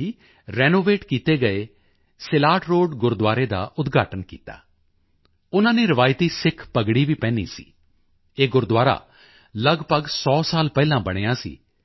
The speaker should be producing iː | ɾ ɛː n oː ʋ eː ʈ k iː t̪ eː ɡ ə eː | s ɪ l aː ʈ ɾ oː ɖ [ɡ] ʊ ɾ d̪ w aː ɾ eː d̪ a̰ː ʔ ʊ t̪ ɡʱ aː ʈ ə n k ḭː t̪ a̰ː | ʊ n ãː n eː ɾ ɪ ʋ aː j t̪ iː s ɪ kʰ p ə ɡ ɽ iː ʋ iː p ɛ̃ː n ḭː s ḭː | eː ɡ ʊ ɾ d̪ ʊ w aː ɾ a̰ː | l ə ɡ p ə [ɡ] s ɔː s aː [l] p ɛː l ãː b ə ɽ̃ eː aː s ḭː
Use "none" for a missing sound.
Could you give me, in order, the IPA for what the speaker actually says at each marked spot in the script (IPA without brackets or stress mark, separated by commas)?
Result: ɡ, ɡ, l